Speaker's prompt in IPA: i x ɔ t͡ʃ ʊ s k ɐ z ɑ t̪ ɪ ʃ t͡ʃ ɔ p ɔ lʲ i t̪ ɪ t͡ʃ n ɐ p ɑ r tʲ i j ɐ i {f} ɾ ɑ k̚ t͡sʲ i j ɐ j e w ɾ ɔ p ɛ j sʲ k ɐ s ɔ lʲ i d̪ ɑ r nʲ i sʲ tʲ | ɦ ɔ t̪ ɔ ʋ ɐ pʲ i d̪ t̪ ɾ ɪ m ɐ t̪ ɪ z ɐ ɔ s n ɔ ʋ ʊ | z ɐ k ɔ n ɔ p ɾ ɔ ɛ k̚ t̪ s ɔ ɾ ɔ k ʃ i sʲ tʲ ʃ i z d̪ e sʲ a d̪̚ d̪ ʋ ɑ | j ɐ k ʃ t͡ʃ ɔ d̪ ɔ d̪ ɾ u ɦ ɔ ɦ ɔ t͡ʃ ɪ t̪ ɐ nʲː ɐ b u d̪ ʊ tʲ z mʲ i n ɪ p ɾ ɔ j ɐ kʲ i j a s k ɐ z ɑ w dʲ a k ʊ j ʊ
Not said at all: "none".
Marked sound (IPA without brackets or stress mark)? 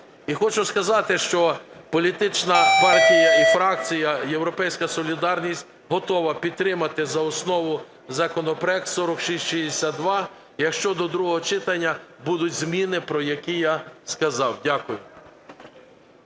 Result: f